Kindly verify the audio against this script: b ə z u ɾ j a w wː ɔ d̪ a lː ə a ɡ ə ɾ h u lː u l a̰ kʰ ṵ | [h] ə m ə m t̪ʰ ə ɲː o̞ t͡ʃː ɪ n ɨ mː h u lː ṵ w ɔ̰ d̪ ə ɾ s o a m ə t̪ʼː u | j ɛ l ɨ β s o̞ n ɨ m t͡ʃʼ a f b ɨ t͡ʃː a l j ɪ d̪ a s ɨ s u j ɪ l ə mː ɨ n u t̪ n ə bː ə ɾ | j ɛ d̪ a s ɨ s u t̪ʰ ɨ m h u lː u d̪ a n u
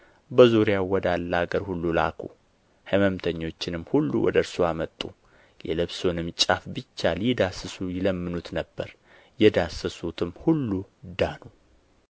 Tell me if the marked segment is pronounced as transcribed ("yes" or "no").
yes